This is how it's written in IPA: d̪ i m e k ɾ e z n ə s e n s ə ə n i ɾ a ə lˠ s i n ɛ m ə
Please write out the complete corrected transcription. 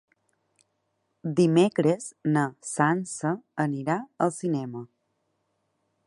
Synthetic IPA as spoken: d̪ i m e k ɾ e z n ə s a n s ə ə n i ɾ a ə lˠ s i n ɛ m ə

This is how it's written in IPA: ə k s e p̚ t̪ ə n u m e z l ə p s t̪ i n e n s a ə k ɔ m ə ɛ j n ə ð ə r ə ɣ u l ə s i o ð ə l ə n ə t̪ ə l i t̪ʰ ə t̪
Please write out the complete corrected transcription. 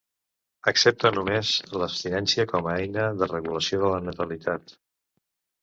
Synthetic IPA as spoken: ə k s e p̚ t̪ ə n u m e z l ə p s t̪ i n ɛ n s i ə k ɔ m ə ɛ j n ə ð ə r ə ɣ u l ə s i o ð ə l ə n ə t̪ ə l i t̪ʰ a t̪

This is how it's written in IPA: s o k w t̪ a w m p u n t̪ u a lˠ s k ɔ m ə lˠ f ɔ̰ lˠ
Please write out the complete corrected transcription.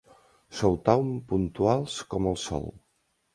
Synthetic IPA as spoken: s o w t̪ a w m p u n t̪ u a lˠ s k ɔ m ə lˠ s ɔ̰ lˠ

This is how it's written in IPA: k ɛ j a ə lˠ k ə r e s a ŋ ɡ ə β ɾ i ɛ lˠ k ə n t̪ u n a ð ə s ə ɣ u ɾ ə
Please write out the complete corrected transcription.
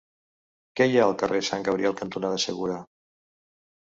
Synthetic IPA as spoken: k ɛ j a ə lˠ k ə r e s a ŋ ɡ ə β ɾ i ɛ lˠ k ə n t̪ u n a ð ə s ə ɣ u ɾ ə

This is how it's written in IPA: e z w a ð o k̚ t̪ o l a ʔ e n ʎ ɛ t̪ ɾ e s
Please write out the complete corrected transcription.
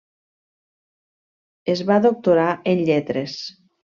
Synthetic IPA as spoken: e z β a ð o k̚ t̪ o ɾ a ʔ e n ʎ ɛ t̪ ɾ e s

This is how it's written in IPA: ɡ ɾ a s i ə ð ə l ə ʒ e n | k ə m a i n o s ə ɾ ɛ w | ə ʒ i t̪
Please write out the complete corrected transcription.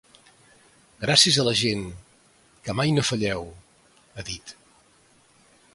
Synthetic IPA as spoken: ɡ ɾ a s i ə z ə l ə ʒ e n | k ə m a j n o f ə ʎ ɛ w | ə ð i t̪

